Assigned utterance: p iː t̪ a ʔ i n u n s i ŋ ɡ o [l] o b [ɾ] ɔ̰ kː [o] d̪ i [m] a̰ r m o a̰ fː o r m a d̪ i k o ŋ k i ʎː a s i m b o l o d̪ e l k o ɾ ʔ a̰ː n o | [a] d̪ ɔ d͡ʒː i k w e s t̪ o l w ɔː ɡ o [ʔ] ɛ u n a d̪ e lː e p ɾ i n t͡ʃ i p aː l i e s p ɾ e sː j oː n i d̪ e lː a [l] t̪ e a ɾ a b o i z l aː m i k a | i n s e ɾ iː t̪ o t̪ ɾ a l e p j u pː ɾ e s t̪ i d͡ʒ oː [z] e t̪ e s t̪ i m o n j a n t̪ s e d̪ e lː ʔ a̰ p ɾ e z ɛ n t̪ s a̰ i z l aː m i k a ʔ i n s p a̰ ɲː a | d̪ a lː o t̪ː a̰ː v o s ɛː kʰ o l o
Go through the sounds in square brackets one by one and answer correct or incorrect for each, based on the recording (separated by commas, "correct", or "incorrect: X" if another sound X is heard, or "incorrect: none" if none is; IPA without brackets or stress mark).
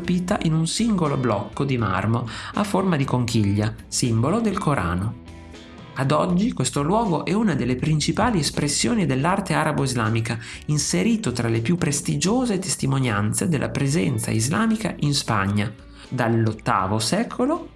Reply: correct, incorrect: l, correct, correct, correct, correct, incorrect: r, correct